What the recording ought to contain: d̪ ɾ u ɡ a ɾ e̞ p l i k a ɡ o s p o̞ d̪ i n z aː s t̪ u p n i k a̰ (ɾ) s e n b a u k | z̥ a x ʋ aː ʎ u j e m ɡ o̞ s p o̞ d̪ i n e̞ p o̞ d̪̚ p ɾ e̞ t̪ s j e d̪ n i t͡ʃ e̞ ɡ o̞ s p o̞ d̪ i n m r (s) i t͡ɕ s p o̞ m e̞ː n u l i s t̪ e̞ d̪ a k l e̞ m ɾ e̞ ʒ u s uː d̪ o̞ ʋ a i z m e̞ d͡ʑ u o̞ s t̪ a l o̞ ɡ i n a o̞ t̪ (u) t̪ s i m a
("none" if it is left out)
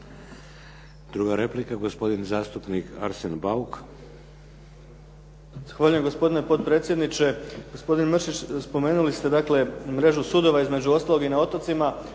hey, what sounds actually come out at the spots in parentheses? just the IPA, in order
ɾ, ʃ, o

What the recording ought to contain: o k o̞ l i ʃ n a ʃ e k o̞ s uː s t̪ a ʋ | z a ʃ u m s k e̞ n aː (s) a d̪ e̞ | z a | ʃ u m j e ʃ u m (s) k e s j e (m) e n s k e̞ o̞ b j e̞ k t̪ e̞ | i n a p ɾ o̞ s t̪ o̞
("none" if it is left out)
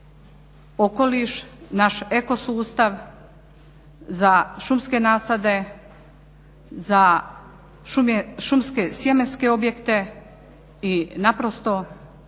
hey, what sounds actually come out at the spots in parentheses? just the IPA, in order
s, s, m

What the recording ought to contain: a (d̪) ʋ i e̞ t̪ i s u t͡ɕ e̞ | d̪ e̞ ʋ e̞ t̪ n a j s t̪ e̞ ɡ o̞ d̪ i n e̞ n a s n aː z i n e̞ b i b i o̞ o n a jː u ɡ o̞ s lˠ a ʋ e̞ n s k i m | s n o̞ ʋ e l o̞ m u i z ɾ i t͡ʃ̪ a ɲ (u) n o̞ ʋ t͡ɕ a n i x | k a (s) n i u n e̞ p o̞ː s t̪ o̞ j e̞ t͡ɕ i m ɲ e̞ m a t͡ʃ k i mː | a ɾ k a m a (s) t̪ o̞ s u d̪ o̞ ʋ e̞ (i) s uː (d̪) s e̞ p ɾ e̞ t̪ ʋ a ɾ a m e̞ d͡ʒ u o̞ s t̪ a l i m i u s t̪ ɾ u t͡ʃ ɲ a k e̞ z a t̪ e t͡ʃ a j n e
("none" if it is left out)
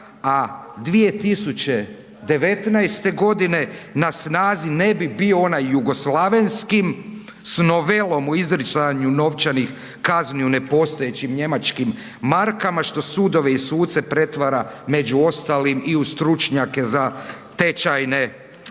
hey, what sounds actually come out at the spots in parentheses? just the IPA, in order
d̪, u, z, ʃ, i, t̪

